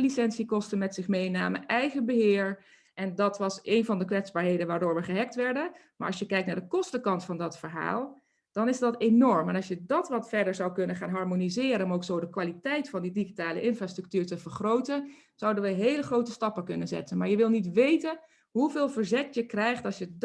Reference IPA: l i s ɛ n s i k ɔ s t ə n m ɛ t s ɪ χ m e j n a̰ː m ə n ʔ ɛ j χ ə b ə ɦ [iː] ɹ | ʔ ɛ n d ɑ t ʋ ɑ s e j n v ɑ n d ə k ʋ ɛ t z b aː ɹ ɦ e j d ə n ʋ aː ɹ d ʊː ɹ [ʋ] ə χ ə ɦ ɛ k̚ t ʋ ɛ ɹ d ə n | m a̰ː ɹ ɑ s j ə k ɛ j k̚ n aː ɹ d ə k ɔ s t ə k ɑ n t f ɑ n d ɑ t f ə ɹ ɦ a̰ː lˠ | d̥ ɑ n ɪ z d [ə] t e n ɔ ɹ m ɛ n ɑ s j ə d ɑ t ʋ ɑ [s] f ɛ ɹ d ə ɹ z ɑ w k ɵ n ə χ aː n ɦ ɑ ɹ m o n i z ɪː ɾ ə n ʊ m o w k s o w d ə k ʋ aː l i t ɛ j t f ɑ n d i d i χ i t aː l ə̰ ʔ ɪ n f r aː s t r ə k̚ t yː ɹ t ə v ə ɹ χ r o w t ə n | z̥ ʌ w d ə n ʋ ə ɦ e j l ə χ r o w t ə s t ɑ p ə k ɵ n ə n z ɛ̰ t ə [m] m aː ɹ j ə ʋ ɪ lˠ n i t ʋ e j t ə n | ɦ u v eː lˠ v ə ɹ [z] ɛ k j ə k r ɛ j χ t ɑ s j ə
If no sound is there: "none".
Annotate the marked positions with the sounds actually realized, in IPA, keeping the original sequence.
ɪː, ʋ, ɑ, t, n, z

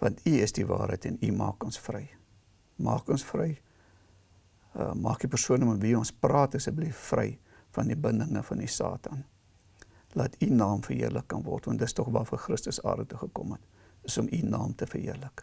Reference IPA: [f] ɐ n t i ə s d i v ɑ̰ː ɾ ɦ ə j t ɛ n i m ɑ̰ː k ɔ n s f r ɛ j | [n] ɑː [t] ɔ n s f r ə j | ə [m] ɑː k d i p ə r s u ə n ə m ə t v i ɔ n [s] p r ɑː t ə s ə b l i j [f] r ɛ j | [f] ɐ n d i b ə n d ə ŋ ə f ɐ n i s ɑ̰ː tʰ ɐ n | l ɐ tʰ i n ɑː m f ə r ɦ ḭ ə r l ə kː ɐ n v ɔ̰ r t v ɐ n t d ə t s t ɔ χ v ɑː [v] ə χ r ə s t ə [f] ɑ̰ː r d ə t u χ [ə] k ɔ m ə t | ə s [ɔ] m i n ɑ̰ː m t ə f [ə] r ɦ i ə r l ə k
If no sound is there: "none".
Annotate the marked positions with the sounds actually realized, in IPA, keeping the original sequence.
v, m, k, m, s, f, f, f, s, ə, ɔ, ə

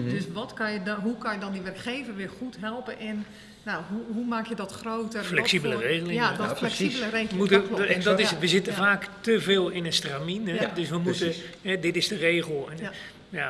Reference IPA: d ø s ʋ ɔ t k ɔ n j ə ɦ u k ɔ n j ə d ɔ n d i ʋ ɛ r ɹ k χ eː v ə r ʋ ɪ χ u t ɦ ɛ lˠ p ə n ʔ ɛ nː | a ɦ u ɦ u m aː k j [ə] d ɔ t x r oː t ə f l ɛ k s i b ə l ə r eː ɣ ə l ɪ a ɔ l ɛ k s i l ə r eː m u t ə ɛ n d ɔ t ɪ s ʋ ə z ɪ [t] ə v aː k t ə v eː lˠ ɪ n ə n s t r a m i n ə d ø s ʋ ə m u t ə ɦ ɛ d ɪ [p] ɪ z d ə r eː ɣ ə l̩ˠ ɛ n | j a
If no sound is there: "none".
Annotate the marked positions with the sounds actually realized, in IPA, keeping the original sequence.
ə, t, t

